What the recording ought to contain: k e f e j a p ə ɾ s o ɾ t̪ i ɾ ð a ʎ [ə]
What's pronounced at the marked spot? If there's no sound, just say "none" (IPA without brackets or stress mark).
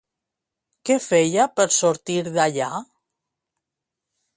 a